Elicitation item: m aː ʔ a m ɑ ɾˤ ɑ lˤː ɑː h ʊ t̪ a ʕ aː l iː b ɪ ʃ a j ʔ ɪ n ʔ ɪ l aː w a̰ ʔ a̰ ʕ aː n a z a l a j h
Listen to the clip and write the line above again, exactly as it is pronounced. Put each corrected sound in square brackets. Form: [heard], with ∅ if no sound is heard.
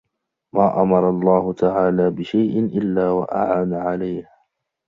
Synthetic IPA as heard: m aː ʔ a m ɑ ɾˤ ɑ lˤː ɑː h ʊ t̪ a ʕ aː l [aː] b ɪ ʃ a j ʔ ɪ n ʔ ɪ [lː] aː w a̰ ʔ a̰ ʕ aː n a [ʕ] a l a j h